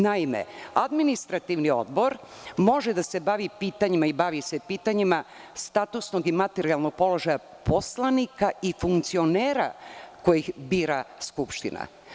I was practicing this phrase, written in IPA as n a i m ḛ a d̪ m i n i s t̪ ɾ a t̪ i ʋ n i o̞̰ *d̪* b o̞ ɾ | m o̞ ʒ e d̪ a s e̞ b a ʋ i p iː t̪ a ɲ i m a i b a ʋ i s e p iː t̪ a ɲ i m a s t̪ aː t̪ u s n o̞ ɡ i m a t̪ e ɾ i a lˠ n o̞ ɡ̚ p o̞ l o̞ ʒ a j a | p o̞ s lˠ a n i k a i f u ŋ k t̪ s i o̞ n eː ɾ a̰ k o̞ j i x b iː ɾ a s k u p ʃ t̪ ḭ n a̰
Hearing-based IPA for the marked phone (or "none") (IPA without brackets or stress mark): d̪